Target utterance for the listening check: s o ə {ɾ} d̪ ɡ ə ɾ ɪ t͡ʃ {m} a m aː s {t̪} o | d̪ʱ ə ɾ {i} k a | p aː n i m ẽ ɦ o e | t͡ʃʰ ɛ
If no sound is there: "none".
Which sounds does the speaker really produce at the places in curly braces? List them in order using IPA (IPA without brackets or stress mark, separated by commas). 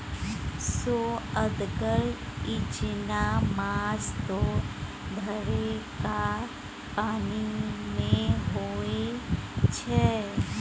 none, n, t̪, e